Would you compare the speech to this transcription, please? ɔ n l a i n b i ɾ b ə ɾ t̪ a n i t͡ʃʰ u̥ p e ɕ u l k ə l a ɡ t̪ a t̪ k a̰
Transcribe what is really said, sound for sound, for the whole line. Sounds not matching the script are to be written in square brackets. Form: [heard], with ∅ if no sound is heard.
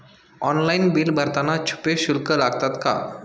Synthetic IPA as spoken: ɔ n l a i n b i [l] b ə ɾ t̪ a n [a] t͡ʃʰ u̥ p e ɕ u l k ə l a ɡ t̪ a t̪ k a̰